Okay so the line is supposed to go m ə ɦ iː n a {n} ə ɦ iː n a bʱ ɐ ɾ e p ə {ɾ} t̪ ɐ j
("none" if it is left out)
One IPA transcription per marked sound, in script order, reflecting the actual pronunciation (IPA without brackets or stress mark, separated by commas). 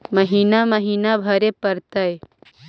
m, ɾ